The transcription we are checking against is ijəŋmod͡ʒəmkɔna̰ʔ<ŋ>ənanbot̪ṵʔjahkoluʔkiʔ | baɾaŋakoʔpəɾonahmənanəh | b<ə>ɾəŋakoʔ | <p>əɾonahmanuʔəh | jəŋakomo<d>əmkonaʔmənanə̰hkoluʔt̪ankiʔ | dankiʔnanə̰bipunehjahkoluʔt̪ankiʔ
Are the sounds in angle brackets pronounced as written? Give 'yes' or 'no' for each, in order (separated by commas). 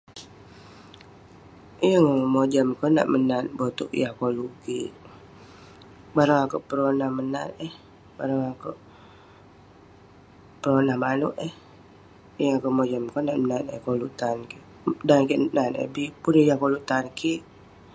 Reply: no, no, yes, no